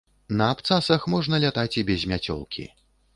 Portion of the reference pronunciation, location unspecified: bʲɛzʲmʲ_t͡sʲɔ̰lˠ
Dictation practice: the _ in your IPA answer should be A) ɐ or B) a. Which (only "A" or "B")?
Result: B